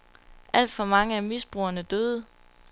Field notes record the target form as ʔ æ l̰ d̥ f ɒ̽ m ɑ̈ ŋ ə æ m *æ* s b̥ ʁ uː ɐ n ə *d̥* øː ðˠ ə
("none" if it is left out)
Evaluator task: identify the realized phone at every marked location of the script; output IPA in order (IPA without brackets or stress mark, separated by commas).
i, d̥